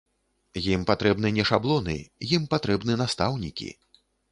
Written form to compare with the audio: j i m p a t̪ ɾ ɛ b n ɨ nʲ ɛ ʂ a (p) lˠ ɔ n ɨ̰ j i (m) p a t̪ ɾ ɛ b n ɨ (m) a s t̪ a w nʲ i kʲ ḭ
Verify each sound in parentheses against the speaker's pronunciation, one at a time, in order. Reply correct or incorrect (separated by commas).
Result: incorrect, correct, incorrect